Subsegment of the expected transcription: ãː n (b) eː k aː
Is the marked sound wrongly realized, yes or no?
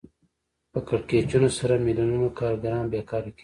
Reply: no